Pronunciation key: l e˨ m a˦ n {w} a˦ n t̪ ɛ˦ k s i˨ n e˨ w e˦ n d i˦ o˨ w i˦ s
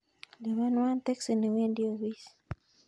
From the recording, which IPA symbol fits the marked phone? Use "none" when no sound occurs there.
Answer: w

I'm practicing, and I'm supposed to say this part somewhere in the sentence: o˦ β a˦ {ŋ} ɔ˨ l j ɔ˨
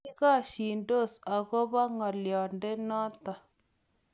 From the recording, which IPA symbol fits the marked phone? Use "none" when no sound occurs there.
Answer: ŋ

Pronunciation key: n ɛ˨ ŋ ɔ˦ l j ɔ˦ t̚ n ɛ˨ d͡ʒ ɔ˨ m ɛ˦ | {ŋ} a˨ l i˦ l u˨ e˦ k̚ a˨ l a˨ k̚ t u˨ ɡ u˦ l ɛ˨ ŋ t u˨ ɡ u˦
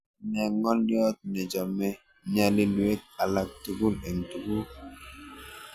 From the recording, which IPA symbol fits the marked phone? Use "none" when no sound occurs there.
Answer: ɲ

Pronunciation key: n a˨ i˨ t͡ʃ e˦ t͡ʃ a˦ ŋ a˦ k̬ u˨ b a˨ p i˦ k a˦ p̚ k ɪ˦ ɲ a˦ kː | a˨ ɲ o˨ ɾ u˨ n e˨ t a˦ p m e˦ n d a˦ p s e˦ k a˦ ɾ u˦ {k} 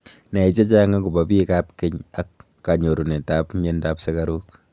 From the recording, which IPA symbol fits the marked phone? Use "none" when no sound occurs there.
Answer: k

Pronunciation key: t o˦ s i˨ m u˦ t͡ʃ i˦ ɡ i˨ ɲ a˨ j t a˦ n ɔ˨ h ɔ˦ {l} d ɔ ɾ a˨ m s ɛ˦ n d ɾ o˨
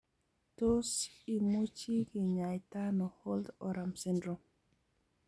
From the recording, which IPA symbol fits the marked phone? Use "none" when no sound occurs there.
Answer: l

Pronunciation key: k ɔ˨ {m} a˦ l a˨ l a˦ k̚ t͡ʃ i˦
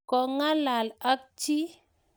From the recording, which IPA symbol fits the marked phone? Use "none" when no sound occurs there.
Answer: ŋ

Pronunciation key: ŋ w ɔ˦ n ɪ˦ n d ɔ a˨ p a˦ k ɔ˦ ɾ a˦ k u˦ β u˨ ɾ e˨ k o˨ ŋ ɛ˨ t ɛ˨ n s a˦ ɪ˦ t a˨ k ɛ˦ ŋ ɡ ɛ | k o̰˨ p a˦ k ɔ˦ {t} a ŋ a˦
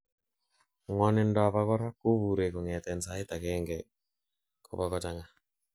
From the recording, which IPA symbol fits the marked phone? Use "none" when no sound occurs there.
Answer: t͡ʃ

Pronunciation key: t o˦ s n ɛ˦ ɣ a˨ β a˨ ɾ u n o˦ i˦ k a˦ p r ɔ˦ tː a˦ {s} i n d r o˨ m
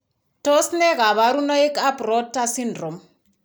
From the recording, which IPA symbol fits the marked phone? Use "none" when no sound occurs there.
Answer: s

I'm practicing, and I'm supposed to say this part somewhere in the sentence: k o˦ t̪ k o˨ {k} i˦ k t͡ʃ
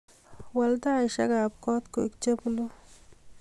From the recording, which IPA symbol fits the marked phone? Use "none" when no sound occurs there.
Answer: none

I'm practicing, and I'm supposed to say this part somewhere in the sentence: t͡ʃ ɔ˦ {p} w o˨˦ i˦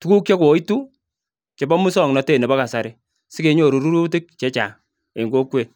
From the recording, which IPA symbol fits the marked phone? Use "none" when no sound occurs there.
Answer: k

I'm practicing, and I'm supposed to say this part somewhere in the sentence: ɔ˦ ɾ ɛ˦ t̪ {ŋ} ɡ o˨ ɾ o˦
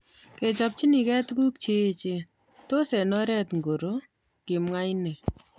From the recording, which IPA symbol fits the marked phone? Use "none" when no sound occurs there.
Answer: ŋ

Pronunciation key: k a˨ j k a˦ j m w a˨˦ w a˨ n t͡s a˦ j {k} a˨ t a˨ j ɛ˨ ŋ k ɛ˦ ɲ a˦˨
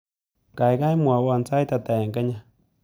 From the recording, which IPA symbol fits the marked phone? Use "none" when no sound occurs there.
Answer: t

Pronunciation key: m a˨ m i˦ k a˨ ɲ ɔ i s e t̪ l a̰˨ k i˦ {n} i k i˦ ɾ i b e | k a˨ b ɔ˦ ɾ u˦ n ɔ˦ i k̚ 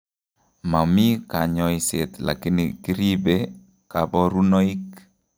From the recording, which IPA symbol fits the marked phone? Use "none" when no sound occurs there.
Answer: n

